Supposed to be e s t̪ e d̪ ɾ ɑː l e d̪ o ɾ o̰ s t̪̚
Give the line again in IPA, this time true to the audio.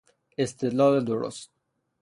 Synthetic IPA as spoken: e s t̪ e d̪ l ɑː l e d̪ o ɾ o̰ s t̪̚